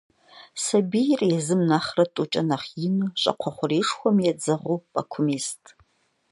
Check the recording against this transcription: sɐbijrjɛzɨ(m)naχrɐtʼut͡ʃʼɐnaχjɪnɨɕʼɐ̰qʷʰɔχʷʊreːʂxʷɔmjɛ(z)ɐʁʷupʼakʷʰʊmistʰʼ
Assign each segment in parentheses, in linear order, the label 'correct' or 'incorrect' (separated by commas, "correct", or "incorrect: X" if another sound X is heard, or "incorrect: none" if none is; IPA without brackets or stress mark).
correct, incorrect: d͡z